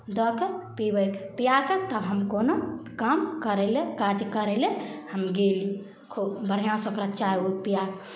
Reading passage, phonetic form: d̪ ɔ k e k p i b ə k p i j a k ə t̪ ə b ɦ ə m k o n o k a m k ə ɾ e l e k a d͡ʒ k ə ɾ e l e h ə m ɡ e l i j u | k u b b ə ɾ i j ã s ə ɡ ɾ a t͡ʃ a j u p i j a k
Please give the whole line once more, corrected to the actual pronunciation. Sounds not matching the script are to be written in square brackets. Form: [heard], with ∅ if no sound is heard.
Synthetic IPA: d̪ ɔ k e [∅] p i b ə k p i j a k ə t̪ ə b ɦ ə m k o n o k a m k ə ɾ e l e k a d͡ʒ k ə ɾ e l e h ə m ɡ e l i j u | [kʰ] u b b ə ɾ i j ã s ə [k] ɾ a t͡ʃ a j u p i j a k